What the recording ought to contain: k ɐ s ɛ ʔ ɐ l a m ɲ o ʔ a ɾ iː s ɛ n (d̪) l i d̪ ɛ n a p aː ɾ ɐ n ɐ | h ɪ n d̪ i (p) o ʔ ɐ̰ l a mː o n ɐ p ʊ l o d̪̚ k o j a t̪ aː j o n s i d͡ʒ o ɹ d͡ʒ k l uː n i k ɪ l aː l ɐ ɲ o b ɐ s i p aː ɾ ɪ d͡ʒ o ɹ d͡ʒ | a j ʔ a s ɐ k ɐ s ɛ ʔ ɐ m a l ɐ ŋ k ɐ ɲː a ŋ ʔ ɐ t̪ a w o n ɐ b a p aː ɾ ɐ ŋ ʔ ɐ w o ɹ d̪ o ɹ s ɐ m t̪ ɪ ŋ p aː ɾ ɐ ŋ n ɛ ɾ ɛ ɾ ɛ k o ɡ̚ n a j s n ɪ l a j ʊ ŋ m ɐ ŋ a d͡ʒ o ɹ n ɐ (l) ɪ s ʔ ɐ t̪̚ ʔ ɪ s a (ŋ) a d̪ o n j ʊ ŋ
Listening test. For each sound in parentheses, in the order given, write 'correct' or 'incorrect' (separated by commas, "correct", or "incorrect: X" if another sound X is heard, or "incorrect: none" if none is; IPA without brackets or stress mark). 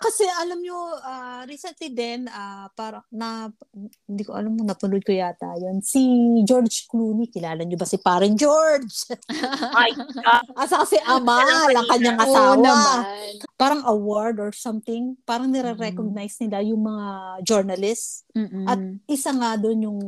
incorrect: t̪, incorrect: k, correct, correct